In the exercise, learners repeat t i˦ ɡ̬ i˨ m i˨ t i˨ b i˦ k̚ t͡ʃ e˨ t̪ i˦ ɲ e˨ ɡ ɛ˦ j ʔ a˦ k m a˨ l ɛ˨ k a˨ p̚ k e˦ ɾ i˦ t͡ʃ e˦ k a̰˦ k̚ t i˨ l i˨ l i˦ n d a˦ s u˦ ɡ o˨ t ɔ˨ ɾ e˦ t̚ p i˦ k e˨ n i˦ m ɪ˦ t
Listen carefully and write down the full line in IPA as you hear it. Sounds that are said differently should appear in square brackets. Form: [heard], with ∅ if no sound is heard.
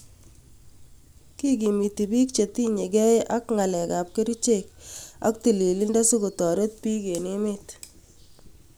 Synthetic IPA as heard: [k] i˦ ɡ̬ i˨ m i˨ t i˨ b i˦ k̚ t͡ʃ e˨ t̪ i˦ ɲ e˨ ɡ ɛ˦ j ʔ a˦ k [ŋ] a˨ l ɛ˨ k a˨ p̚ k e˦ ɾ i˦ t͡ʃ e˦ k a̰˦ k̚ t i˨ l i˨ l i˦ n d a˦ s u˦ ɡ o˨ t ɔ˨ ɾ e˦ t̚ p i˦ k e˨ n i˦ m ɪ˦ t